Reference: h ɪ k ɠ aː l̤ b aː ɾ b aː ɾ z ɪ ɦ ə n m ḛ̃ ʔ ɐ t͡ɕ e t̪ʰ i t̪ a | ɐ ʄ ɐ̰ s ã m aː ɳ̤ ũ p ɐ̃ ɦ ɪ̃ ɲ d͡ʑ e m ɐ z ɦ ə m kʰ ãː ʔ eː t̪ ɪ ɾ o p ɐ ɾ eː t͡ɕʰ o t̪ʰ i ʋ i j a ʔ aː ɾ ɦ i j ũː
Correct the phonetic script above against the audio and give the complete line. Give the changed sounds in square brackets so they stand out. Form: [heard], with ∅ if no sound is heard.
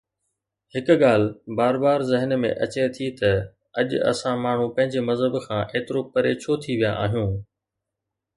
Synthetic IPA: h ɪ k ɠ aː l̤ b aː ɾ b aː ɾ z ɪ ɦ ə n m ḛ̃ ʔ ɐ t͡ɕ e t̪ʰ i t̪ [ɐ] | ɐ ʄ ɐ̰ s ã m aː ɳ̤ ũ p ɐ̃ ɦ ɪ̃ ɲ d͡ʑ e m ɐ z ɦ ə [b] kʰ ãː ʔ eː t̪ ɪ ɾ o p ɐ ɾ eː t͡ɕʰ o t̪ʰ i ʋ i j a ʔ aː [∅] ɦ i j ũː

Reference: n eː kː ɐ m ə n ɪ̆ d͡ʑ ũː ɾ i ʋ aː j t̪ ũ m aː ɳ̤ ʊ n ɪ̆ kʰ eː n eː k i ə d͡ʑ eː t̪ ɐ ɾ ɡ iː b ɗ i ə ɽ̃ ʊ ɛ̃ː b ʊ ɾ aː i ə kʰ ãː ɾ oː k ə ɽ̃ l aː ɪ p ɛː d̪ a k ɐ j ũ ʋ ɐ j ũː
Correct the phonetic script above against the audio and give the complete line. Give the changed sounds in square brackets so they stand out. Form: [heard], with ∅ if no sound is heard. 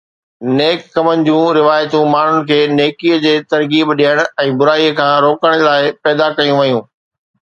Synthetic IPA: n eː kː ɐ m ə n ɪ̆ d͡ʑ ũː ɾ [ɪ] ʋ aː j t̪ ũ m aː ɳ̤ ʊ n ɪ̆ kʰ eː n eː k i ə d͡ʑ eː t̪ ɐ ɾ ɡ iː b ɗ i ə ɽ̃ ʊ ɛ̃ː b ʊ ɾ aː i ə kʰ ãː ɾ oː k ə ɽ̃ l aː ɪ p ɛː d̪ a k ɐ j ũ ʋ ɐ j ũː

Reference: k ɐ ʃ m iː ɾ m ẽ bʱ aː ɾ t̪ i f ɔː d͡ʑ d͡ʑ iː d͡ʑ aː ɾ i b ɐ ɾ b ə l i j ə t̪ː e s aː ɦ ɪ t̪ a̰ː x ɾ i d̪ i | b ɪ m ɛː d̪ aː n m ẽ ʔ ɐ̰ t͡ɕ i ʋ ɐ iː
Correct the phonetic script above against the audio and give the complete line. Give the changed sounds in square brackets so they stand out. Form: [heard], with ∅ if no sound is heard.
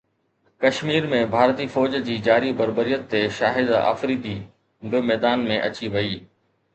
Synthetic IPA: k ɐ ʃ m iː ɾ m ẽ bʱ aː ɾ t̪ i f ɔː d͡ʑ d͡ʑ iː d͡ʑ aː ɾ i b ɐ ɾ b ə [ɾ] i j ə t̪ː e [ʃ] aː ɦ ɪ [d̪] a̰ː [f] ɾ i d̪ i | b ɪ m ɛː d̪ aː n m ẽ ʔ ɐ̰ t͡ɕ i ʋ ɐ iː

